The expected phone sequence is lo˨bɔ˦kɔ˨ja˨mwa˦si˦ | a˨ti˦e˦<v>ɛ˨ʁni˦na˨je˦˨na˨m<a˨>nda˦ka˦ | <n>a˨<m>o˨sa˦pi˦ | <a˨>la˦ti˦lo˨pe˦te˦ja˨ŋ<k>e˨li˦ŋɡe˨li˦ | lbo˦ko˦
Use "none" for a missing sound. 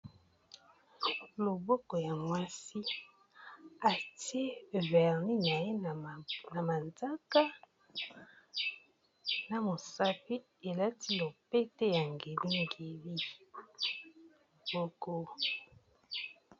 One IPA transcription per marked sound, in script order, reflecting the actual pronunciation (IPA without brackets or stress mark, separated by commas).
v, a˨, n, m, e˨, ɡ